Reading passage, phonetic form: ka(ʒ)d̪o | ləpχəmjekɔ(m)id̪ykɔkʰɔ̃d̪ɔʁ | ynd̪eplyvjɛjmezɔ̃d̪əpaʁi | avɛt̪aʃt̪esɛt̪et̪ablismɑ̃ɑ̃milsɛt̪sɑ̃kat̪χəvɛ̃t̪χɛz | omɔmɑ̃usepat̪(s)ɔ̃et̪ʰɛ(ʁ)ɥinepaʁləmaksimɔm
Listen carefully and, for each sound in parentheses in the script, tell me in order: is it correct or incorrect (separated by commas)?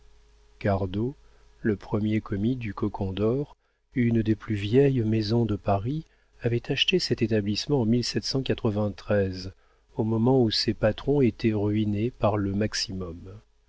incorrect, correct, incorrect, correct